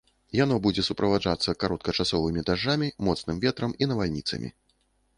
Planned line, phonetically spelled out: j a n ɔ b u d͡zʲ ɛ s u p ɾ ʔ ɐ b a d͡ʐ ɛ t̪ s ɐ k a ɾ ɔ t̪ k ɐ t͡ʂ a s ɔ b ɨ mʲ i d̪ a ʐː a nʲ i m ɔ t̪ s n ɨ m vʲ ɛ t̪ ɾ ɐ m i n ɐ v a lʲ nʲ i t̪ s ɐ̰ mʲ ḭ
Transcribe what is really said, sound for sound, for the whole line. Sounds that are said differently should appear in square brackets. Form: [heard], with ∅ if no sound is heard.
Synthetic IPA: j a n ɔ b u d͡zʲ ɛ s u p ɾ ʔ ɐ [v] a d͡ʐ [a] t̪ [sː] ɐ k a ɾ ɔ t̪ k ɐ t͡ʂ a s ɔ [v] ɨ mʲ i d̪ a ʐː a [mʲ] i m ɔ t̪ s n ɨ m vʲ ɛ t̪ ɾ ɐ m i n ɐ v a lʲ nʲ i t̪ s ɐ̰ mʲ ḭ

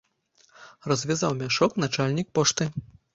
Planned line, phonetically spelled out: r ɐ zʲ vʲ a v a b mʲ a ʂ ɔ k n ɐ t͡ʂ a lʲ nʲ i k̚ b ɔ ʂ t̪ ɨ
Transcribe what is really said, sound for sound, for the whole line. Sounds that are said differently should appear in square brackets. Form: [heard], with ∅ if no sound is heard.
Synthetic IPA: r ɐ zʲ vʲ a [z] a [w] mʲ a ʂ ɔ k n [a] t͡ʂ a lʲ nʲ i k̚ [p] ɔ ʂ t̪ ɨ

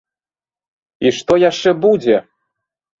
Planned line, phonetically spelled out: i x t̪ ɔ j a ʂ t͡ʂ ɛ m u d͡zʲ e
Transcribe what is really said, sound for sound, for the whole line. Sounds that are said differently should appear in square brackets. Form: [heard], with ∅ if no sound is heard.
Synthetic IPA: i [ʂ] t̪ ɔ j a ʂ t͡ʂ ɛ [b] u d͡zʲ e

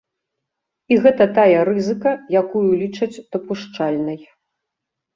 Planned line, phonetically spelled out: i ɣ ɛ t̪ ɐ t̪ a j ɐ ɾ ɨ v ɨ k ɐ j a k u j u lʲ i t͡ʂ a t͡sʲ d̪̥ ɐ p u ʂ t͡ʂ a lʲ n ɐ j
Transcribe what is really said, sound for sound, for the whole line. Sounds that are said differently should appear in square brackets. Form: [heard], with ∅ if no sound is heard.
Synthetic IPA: i ɣ ɛ t̪ ɐ t̪ a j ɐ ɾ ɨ [z] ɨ k ɐ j a k u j u lʲ i t͡ʂ [ɐ] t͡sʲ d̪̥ ɐ p u ʂ t͡ʂ a lʲ n ɐ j

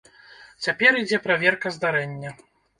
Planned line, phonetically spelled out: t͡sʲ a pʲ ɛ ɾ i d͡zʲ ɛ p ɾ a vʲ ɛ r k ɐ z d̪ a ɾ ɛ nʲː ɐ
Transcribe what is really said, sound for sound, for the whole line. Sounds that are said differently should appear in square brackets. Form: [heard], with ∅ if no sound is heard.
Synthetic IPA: t͡sʲ a pʲ ɛ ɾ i d͡zʲ ɛ p ɾ a vʲ ɛ r k ɐ z d̪ a ɾ ɛ nʲː ɐ

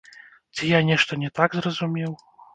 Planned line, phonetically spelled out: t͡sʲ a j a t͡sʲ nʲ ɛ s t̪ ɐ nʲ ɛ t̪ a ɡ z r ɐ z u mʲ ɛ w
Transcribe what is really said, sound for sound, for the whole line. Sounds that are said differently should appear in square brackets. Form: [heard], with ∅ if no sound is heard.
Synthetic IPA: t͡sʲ [i] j a [∅] nʲ ɛ [ʂ] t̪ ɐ nʲ ɛ t̪ a ɡ z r ɐ z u mʲ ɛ w

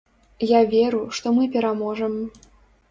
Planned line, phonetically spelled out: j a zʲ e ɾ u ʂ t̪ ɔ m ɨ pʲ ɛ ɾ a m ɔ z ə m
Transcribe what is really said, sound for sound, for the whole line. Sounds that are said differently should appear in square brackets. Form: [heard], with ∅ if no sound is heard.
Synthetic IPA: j a [vʲ] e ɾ u ʂ t̪ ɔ m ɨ pʲ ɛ ɾ a m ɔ [ʐ] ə m

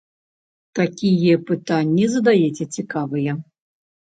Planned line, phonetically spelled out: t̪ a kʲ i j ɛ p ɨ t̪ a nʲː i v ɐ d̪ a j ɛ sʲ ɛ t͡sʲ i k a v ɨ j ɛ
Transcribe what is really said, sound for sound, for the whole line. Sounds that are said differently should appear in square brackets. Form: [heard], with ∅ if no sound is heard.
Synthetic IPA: t̪ a kʲ i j ɛ p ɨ t̪ a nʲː i [z] ɐ d̪ a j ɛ [t͡sʲ] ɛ t͡sʲ i k a v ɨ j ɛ

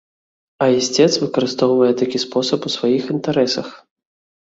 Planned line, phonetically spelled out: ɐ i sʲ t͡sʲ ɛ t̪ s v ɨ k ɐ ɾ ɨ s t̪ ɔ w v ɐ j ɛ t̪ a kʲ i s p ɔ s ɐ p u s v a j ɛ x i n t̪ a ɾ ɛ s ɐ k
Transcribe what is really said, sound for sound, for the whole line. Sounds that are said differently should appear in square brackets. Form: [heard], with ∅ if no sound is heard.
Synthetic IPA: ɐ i sʲ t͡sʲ ɛ t̪ s v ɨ k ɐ ɾ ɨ s t̪ ɔ w v ɐ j ɛ t̪ a kʲ i s p ɔ s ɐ p u s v a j [i] x i n t̪ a ɾ ɛ s ɐ [x]

